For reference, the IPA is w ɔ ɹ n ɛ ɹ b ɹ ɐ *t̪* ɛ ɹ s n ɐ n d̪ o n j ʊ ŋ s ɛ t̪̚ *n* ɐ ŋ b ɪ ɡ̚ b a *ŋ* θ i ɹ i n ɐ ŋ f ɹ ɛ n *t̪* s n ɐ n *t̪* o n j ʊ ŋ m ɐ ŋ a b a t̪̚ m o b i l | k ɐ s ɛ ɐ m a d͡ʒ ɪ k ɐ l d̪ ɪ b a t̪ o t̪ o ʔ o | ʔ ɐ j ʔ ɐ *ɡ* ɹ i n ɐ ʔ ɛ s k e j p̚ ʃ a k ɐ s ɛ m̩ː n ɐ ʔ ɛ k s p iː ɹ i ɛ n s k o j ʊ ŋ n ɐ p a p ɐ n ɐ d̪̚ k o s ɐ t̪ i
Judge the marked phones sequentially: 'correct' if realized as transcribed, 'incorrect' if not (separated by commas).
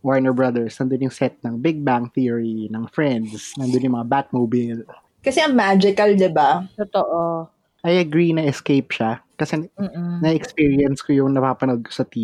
incorrect, correct, correct, incorrect, incorrect, correct